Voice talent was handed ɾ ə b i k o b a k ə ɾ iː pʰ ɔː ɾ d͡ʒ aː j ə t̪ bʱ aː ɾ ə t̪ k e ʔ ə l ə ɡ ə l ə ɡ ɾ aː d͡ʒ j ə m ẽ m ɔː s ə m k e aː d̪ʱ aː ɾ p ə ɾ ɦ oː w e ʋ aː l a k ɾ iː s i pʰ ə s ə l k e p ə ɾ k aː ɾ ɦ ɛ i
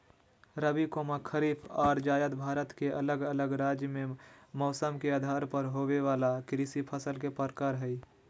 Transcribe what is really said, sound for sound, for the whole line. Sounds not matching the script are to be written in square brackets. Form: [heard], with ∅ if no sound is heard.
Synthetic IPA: ɾ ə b i k o [m] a [kʰ] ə ɾ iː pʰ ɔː ɾ d͡ʒ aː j ə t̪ bʱ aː ɾ ə t̪ k e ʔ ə l ə ɡ ə l ə ɡ ɾ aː d͡ʒ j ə m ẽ m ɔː s ə m k e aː d̪ʱ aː ɾ p ə ɾ ɦ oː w e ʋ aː l a k ɾ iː s i pʰ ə s ə l k e p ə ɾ k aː ɾ ɦ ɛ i

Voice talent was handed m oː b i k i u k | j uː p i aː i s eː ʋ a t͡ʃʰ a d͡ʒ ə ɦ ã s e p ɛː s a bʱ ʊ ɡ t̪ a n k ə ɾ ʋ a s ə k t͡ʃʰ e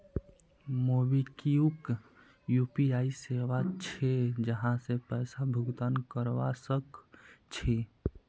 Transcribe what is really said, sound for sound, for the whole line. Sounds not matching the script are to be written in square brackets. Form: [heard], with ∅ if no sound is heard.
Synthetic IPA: m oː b i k i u k | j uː p i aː i s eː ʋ a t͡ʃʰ [e] d͡ʒ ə ɦ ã s e p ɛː s a bʱ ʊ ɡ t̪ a n k ə ɾ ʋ a s ə k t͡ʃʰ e

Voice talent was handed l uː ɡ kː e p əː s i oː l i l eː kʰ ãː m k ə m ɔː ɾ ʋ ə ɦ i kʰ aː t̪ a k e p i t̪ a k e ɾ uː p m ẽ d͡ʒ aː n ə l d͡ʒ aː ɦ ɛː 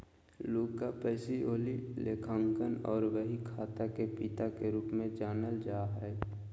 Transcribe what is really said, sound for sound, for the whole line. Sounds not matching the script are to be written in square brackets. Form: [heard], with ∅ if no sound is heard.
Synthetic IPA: l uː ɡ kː [a] p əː s i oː l i l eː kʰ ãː [ŋ] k ə [n] ɔː ɾ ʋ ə ɦ i kʰ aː t̪ a k e p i t̪ a k e ɾ uː p m ẽ d͡ʒ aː n ə l d͡ʒ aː ɦ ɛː

